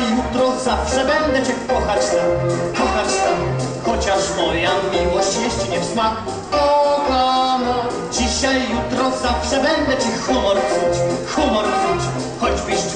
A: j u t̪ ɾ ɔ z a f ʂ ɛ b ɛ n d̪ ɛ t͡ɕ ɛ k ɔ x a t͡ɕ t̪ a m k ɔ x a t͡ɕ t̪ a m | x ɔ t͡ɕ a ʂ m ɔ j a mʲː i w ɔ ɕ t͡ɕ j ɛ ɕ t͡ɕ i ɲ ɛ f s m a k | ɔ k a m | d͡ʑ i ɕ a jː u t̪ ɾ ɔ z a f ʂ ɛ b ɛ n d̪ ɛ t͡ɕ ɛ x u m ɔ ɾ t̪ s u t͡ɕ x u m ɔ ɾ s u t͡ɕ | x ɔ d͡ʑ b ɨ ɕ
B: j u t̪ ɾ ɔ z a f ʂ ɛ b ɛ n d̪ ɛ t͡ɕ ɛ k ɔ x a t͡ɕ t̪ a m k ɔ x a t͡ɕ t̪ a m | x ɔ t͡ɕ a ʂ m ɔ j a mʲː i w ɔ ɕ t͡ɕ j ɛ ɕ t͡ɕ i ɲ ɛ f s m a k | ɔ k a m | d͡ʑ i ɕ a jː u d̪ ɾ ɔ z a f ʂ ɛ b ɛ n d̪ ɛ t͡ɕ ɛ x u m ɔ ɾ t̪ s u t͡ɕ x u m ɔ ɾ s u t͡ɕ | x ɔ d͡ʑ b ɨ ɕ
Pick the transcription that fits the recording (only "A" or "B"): A